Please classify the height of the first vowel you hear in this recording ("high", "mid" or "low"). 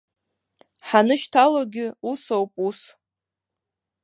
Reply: low